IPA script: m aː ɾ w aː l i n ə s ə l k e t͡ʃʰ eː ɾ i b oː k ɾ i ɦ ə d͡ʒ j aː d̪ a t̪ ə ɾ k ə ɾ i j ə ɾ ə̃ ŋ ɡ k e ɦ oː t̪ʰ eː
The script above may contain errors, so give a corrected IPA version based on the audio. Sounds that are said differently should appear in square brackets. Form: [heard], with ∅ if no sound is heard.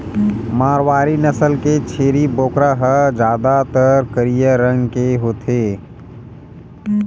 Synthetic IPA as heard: m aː ɾ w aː [ɾ] i n ə s ə l k e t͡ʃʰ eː ɾ i b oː k ɾ [a] ɦ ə d͡ʒ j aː d̪ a t̪ ə ɾ k ə ɾ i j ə ɾ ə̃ ŋ ɡ k e ɦ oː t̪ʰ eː